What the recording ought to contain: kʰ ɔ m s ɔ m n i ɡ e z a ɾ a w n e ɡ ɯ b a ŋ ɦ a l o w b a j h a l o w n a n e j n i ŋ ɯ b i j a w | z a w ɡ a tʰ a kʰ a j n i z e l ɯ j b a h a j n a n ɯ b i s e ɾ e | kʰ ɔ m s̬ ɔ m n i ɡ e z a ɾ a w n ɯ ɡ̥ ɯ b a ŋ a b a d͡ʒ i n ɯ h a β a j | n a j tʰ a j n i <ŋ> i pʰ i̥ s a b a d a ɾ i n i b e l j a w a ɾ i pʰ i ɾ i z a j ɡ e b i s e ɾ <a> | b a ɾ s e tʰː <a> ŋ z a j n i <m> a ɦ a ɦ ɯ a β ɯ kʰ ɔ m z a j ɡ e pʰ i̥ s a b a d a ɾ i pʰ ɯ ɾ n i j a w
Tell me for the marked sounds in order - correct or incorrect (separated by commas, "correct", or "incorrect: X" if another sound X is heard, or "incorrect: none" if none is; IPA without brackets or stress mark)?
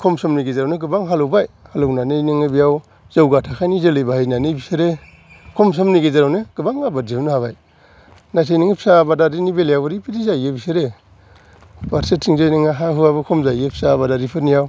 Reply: correct, incorrect: e, incorrect: i, incorrect: ŋ